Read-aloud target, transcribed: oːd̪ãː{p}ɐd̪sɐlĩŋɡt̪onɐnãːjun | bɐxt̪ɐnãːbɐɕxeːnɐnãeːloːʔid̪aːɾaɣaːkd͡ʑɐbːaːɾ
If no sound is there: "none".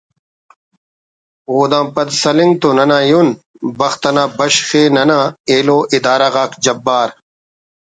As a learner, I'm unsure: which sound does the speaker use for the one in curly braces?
p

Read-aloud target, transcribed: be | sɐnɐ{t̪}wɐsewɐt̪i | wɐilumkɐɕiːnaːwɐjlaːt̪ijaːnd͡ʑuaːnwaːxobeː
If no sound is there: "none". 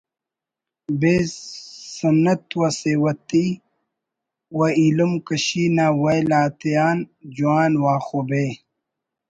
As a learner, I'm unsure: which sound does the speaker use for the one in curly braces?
t̪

